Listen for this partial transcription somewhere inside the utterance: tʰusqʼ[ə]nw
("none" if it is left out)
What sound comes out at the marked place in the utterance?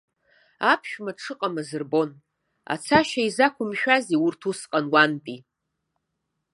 a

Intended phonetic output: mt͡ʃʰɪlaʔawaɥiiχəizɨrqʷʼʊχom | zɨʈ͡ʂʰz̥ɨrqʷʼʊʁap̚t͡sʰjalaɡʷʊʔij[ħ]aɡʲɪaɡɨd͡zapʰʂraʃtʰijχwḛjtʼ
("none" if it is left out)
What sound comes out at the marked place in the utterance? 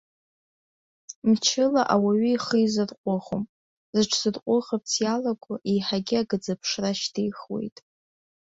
ħ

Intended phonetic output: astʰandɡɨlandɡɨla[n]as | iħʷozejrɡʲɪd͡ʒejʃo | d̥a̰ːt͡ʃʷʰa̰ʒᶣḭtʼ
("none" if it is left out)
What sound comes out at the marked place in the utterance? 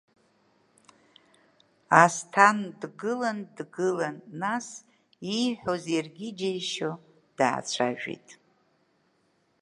nː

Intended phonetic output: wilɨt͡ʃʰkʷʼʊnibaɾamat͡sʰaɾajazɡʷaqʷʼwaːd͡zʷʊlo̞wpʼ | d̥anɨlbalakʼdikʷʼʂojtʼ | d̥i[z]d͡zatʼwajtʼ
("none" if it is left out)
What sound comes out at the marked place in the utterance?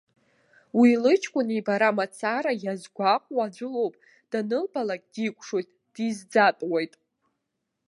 z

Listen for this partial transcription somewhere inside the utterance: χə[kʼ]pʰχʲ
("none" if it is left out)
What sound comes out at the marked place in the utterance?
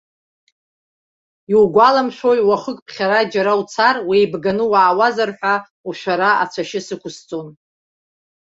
kʼ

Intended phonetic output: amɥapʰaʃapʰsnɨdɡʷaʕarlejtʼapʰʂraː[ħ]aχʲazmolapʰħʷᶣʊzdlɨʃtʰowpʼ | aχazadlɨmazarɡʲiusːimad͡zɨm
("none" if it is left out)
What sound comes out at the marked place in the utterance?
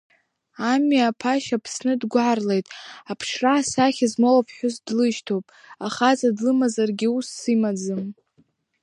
s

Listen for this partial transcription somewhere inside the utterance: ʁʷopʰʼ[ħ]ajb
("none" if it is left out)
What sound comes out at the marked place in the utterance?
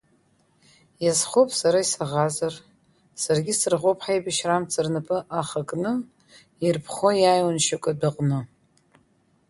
ħ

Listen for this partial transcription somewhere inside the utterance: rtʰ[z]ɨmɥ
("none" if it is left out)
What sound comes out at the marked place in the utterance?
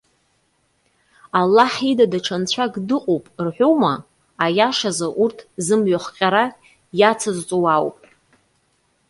z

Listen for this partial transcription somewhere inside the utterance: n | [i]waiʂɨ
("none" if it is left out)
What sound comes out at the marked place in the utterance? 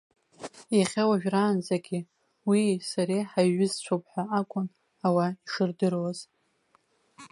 a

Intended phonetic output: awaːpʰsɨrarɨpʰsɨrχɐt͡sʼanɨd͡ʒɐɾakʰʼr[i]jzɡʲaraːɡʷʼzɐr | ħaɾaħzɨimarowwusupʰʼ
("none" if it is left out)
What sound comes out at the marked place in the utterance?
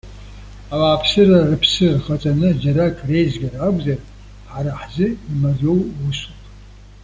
e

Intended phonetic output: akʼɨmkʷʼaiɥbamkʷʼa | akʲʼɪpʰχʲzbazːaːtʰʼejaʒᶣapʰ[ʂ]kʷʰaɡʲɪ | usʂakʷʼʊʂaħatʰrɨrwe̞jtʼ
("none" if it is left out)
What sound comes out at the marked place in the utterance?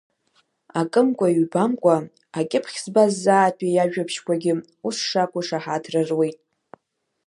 ʃ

